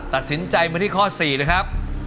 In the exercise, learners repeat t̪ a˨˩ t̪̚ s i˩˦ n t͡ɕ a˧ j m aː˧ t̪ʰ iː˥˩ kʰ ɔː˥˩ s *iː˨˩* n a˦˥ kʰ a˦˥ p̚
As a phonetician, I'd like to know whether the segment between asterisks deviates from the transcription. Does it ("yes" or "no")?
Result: no